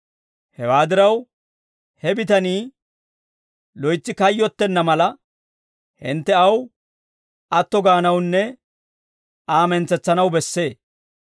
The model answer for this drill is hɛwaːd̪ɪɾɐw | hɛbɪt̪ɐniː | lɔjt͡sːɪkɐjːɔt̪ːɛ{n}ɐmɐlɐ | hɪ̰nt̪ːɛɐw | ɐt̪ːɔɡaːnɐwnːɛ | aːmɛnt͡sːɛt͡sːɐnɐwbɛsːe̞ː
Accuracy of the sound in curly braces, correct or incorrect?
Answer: incorrect